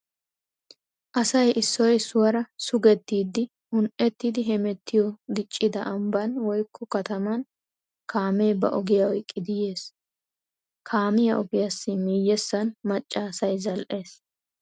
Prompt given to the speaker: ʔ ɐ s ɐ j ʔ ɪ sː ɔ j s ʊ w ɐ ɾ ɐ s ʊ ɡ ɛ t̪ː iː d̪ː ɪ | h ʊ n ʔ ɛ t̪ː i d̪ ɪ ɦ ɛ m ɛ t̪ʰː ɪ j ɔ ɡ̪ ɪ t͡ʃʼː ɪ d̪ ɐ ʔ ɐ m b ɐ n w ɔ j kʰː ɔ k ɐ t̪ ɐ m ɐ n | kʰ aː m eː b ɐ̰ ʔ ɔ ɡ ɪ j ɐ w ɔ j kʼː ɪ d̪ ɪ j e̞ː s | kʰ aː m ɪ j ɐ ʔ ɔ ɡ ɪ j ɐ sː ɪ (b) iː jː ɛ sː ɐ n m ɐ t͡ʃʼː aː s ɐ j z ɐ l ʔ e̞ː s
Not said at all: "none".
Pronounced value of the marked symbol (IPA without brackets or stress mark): m